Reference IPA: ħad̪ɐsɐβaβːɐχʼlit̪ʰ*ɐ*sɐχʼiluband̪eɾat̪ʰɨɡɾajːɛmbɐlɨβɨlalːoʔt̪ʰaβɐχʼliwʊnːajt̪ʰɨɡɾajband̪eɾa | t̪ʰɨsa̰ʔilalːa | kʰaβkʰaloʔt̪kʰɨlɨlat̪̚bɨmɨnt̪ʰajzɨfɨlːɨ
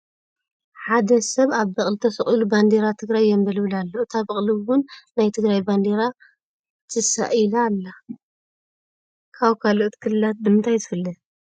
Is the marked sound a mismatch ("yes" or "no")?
no